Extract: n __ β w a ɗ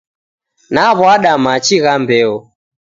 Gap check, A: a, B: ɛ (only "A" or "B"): A